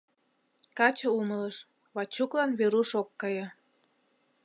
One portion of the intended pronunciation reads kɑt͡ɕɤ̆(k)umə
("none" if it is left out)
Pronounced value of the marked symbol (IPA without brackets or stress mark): none